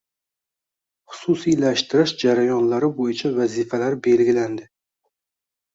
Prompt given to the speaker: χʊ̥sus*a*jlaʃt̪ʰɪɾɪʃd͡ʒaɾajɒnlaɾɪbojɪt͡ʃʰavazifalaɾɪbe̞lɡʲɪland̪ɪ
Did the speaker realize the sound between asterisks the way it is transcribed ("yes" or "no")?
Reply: no